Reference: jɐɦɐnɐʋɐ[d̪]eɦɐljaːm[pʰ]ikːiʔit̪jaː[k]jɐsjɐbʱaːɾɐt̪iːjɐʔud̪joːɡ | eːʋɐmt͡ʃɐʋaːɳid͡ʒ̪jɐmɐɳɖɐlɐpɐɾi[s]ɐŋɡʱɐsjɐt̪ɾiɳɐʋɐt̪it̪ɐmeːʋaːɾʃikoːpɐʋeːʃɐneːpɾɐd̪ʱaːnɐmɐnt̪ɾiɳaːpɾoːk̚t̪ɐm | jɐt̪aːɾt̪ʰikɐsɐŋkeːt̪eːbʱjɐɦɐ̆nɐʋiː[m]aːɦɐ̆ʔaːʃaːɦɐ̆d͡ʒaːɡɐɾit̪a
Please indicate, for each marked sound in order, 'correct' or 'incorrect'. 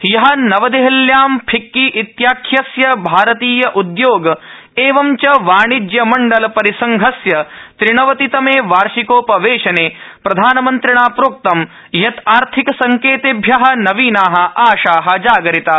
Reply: correct, correct, incorrect, correct, incorrect

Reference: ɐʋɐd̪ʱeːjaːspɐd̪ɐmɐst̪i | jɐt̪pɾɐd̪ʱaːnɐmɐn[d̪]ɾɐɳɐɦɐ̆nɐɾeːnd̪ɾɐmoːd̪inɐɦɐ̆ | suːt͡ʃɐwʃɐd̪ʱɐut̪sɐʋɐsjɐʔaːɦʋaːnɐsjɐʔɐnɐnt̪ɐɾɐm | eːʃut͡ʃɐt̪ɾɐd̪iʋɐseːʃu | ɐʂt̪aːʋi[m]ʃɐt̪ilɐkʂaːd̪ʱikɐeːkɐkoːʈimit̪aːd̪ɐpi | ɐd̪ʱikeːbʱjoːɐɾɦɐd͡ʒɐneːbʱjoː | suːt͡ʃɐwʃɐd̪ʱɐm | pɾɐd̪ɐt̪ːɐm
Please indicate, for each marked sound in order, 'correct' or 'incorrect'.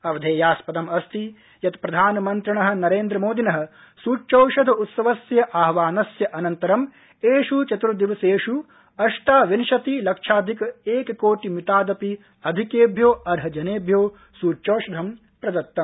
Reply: incorrect, incorrect

